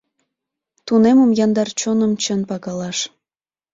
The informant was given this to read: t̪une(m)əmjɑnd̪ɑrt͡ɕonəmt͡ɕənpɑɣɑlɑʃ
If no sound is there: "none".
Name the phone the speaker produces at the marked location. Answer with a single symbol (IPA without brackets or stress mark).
m